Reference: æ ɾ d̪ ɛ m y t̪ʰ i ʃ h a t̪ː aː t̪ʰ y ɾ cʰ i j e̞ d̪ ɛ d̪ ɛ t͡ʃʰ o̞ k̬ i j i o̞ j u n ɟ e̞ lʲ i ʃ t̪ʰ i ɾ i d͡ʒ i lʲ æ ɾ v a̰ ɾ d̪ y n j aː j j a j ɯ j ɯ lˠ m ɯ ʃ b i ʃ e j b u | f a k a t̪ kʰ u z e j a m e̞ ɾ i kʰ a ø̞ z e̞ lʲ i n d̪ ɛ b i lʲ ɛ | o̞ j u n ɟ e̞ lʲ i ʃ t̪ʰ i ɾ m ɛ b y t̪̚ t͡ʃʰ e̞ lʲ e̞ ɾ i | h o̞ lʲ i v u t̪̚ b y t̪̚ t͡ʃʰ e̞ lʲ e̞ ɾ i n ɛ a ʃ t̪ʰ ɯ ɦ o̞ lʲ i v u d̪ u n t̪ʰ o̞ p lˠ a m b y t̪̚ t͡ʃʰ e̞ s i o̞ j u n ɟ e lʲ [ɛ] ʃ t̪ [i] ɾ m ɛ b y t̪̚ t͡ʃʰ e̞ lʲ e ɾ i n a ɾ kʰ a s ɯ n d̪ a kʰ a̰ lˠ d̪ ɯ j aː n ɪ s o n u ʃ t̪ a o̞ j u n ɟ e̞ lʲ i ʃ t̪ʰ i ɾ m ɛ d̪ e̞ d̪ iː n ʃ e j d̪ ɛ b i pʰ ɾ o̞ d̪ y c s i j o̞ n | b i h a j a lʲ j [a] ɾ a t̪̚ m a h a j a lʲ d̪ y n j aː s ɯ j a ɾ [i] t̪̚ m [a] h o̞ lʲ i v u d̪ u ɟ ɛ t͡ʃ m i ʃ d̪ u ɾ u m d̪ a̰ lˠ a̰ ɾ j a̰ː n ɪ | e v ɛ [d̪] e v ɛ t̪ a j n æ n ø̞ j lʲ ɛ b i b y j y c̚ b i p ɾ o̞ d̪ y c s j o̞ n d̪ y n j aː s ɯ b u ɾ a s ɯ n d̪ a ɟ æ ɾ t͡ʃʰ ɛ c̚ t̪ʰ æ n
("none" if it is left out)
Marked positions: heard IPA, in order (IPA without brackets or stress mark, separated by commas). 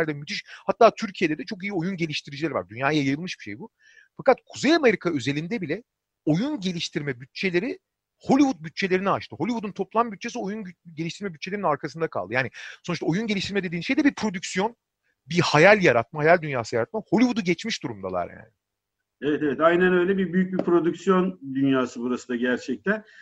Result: i, i, a, a, a, t̪